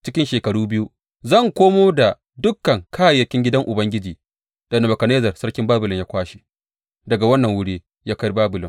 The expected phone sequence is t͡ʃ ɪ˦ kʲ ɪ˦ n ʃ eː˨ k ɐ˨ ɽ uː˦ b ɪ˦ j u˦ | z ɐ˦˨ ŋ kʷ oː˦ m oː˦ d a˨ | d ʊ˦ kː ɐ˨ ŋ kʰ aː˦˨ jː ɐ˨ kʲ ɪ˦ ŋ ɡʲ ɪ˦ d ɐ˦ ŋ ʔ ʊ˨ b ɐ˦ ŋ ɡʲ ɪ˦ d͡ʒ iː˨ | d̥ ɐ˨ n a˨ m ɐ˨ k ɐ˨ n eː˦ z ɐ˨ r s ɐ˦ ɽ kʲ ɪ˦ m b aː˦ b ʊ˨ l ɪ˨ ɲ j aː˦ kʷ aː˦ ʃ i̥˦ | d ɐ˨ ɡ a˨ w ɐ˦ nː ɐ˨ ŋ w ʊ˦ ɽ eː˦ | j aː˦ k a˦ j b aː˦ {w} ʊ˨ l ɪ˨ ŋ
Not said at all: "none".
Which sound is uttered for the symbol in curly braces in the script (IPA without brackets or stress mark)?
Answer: b